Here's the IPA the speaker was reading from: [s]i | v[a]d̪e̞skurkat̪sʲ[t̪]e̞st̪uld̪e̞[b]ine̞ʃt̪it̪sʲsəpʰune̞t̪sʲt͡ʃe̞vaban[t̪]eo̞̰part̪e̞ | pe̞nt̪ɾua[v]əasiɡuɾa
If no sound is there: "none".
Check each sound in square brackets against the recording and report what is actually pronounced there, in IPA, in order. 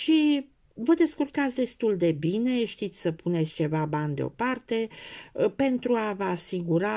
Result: ʃ, ə, d̪, b, d̪, v

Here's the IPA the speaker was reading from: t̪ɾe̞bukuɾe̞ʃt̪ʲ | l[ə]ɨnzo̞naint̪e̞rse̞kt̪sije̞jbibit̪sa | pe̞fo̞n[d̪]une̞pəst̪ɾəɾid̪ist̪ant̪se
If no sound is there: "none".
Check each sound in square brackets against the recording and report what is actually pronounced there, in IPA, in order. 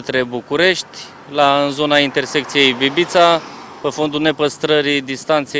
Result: a, d̪

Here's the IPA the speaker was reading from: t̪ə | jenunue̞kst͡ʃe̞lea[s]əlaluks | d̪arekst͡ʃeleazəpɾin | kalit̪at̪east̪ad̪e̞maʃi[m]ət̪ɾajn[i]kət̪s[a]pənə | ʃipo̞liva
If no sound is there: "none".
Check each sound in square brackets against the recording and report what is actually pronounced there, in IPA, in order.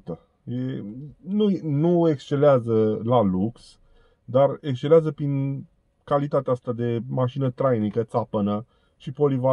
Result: z, n, i, a

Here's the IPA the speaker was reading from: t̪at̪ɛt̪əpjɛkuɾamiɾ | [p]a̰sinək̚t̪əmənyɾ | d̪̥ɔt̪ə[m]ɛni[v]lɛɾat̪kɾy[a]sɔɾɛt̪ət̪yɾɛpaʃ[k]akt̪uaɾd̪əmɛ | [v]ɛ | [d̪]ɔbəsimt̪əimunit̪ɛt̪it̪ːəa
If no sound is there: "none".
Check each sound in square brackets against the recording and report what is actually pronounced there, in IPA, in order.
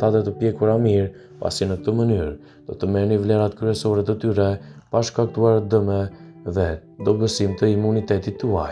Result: p, m, v, ɛ, k, ð, d̪

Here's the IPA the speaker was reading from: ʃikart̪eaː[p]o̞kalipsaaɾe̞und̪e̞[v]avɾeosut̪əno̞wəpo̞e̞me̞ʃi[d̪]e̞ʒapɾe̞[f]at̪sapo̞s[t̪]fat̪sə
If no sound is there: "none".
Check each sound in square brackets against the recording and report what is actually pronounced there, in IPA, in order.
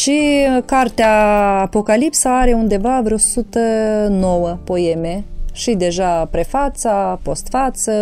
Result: p, v, d̪, f, t̪

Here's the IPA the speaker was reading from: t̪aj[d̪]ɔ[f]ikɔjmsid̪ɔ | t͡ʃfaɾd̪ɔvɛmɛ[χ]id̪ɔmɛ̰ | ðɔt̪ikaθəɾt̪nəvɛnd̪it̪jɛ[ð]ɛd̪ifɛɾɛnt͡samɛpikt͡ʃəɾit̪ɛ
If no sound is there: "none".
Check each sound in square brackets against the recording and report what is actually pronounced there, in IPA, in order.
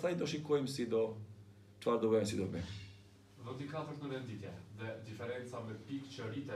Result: d̪, ʃ, s, ð

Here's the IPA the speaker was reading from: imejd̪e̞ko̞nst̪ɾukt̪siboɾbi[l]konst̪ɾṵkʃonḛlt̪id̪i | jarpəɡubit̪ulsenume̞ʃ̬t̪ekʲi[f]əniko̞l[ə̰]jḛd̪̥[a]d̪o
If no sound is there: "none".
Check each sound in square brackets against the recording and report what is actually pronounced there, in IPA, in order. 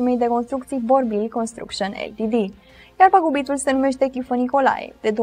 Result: l, f, a̰, e

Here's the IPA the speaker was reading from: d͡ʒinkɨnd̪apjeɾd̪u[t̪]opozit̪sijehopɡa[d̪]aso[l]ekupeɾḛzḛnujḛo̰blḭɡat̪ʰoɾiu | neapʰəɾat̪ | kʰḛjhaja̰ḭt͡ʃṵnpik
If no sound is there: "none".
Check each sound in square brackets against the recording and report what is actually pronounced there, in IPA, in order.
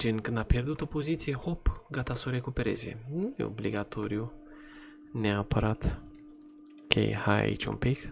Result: t̪, t̪, ɾ

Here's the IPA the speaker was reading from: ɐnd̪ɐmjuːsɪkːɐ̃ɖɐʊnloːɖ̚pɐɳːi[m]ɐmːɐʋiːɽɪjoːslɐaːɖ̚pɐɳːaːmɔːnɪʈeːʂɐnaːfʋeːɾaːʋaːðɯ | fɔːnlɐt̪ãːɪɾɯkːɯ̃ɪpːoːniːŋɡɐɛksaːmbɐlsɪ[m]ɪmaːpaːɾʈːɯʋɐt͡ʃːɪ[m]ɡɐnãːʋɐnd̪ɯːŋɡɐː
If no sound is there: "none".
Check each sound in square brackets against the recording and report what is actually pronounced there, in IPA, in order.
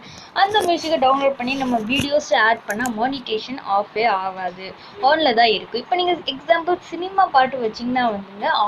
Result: n, n, ŋ

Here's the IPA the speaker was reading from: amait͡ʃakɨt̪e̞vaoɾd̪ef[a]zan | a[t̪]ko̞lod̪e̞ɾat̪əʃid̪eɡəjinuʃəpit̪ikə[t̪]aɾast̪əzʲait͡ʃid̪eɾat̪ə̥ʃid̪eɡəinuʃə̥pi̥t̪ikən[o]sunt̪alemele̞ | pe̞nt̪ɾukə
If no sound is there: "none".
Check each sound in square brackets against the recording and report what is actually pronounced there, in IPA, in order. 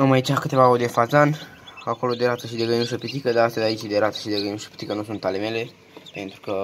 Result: a, none, d̪, u

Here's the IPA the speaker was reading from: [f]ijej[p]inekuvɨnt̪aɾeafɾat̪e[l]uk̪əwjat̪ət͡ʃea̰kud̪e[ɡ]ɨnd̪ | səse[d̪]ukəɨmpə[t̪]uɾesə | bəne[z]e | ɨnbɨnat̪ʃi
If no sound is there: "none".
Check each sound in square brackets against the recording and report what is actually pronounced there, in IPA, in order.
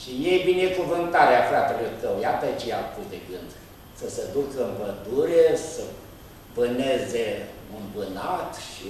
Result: ʃ, b, l, ɡ, d̪, d̪, z

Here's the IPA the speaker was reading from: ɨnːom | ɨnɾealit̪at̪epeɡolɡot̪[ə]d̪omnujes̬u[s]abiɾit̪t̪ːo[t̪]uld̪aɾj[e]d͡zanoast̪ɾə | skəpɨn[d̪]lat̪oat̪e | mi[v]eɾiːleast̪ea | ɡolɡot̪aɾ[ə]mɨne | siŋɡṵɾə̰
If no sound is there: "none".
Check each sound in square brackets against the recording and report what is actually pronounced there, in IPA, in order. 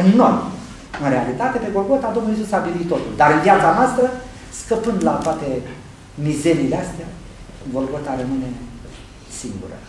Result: a, s, t̪, a, d̪, z, ə

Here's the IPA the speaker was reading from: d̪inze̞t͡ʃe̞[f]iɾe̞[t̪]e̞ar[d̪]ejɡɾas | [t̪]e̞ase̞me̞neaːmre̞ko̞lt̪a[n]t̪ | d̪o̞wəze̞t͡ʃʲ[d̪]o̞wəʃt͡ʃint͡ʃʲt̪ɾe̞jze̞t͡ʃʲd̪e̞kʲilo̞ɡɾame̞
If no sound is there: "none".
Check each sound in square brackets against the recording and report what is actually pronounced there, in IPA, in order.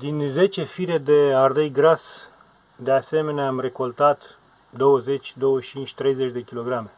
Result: f, d̪, d̪, d̪, none, d̪

